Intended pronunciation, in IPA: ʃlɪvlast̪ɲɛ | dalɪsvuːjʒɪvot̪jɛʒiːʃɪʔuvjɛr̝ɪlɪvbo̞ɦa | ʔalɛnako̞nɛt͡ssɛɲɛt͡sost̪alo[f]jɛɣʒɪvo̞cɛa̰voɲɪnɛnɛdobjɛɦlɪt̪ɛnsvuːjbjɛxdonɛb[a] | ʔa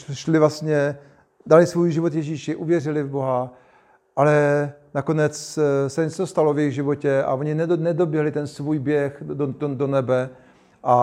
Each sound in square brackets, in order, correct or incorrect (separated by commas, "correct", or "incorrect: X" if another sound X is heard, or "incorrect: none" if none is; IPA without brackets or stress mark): incorrect: v, incorrect: ɛ